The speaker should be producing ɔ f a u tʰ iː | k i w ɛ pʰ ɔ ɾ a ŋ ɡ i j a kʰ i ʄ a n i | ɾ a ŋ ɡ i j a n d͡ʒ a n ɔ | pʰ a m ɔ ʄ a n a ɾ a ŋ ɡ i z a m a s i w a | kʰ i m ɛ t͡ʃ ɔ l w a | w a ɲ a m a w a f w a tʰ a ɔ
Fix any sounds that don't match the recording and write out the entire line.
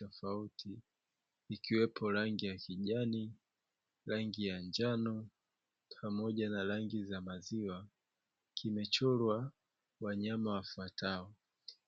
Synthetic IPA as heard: ɔ f a u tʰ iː | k i w ɛ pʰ ɔ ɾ a ŋ ɡ i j a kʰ i ʄ a n i | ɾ a ŋ ɡ i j a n d͡ʒ a n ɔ | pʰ a m ɔ ʄ a n a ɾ a ŋ ɡ i z a m a z i w a | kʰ i m ɛ t͡ʃ ɔ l w a | w a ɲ a m a w a f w a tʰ a ɔ